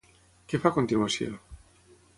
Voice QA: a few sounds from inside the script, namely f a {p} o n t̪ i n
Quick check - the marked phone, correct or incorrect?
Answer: incorrect